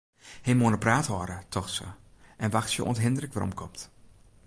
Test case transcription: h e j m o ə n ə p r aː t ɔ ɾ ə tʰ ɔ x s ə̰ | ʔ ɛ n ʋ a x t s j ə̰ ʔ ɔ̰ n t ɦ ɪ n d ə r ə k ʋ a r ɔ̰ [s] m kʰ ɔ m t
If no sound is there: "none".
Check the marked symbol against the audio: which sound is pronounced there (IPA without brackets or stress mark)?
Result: none